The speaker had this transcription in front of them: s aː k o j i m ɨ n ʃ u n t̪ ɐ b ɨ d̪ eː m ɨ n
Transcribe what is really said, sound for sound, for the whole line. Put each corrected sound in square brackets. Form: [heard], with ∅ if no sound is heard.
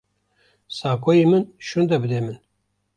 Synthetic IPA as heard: s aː k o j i m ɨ n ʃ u n [d̪] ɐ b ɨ d̪ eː m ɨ n